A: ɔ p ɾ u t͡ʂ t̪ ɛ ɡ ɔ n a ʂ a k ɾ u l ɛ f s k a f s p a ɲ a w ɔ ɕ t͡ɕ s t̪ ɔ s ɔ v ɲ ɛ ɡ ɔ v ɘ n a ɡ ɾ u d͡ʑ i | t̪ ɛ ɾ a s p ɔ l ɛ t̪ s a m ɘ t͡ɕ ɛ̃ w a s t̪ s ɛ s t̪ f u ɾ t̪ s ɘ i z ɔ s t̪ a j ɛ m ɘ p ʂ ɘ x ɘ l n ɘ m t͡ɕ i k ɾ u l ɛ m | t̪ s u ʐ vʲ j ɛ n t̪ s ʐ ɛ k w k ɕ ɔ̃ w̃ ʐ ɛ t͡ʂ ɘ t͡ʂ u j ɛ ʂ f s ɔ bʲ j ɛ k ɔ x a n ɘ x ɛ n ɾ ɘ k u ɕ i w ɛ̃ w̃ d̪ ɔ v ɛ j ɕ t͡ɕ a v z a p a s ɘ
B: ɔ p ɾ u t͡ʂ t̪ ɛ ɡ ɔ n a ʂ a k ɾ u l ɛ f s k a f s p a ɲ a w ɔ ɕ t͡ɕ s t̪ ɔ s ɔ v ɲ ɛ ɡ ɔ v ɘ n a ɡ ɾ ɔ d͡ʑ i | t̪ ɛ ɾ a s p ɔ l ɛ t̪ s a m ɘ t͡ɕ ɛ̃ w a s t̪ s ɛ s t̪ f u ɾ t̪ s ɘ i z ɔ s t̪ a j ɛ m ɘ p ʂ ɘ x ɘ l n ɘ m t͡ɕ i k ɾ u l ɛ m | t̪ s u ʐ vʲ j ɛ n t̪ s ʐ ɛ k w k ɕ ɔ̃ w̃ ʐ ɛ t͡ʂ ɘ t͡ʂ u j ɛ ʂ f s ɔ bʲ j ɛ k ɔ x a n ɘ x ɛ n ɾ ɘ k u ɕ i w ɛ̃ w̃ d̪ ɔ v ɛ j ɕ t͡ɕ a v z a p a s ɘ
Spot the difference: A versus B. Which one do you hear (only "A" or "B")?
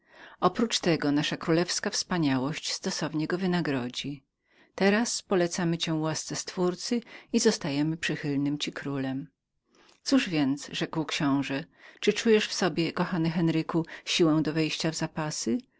B